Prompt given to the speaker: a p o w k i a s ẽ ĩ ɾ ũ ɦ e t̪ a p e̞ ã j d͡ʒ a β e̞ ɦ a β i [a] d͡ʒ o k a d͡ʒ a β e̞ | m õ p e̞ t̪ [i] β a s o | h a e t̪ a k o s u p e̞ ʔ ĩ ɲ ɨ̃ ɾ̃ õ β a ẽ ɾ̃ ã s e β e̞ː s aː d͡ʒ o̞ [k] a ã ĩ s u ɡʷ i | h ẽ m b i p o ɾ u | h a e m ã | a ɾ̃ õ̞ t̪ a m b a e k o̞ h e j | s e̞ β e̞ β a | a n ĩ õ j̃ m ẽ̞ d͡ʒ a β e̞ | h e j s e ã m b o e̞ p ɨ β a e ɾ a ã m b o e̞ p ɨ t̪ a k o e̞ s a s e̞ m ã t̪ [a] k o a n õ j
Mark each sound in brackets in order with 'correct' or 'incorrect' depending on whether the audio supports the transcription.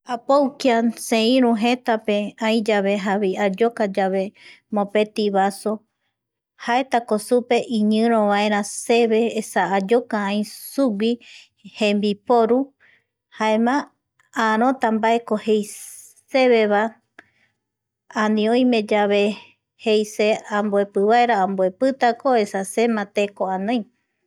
correct, correct, correct, incorrect

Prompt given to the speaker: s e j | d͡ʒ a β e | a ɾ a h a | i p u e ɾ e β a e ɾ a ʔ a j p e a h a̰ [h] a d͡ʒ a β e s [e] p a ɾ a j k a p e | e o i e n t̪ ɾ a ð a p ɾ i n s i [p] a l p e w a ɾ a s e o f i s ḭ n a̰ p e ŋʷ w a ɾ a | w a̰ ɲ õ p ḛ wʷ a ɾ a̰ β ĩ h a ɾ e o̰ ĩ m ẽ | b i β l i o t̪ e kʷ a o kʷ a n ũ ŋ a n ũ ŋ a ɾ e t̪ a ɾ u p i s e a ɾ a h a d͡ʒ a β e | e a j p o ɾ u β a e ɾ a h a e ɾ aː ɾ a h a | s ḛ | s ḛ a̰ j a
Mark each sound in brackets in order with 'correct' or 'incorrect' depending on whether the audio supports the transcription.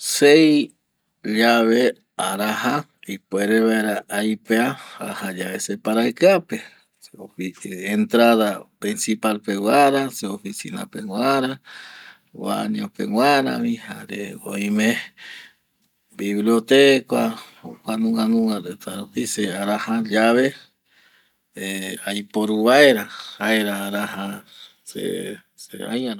correct, correct, correct

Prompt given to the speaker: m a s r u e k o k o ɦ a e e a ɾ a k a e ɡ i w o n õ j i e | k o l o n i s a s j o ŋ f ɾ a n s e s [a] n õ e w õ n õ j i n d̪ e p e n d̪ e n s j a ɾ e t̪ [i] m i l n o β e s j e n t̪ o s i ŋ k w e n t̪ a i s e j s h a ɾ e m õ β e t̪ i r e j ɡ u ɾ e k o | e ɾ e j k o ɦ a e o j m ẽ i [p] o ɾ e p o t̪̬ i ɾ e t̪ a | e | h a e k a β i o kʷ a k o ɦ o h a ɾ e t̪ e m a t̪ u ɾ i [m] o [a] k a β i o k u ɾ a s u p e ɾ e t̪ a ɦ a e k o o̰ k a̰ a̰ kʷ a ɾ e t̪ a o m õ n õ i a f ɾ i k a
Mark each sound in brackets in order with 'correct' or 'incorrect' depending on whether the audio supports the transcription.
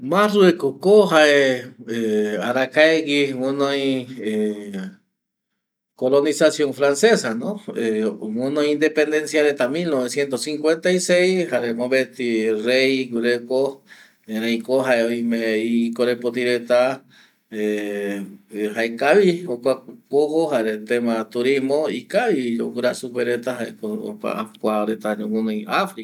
correct, incorrect, incorrect, correct, incorrect

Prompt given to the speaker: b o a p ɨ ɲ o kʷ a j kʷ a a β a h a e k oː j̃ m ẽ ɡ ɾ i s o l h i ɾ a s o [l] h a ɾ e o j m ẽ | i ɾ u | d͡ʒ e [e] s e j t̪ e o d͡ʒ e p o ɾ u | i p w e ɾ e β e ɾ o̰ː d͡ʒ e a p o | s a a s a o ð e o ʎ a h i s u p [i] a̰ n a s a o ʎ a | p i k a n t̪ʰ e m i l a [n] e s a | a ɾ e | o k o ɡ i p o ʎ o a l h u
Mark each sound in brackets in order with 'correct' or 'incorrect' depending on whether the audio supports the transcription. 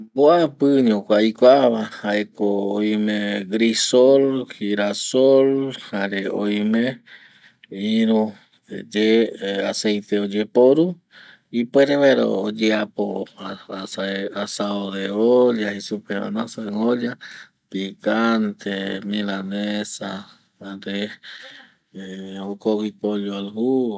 correct, incorrect, incorrect, correct

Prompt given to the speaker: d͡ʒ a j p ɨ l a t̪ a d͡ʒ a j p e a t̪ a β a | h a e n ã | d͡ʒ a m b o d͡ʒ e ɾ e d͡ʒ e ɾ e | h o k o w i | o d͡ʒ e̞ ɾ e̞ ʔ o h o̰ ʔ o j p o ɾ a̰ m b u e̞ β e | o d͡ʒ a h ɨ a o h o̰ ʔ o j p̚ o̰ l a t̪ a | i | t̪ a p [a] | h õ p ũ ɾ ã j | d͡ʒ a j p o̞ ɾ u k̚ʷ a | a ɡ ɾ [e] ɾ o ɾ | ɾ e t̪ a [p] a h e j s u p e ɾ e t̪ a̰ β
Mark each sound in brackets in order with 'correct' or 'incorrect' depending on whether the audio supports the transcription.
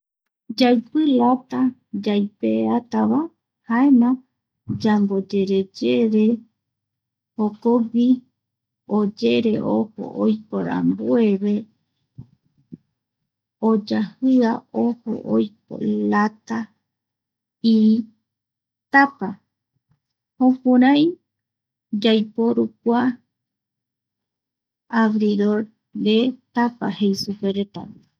correct, incorrect, correct

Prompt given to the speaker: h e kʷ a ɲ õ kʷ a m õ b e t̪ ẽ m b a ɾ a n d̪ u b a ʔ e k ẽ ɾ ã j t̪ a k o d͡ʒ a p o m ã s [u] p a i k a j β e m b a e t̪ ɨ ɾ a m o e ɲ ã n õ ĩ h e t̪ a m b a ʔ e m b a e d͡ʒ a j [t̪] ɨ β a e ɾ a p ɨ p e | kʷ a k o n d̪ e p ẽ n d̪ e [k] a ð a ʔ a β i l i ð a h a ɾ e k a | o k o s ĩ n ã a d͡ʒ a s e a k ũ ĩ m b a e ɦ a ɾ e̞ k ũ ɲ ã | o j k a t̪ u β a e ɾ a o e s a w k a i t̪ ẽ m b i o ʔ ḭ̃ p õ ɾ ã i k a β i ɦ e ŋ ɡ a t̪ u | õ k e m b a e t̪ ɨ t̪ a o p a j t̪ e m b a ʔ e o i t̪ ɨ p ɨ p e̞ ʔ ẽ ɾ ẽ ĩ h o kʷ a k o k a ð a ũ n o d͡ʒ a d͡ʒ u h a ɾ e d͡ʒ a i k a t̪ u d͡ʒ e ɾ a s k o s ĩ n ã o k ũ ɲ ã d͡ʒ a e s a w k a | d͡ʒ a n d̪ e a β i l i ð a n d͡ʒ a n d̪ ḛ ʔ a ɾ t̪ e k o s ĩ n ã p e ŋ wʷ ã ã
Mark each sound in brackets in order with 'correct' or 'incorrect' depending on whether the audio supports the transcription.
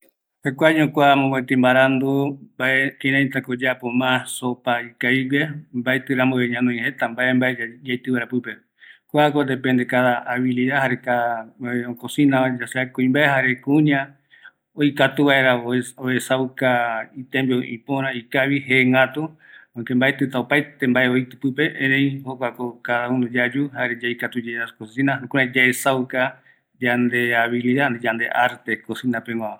incorrect, correct, correct

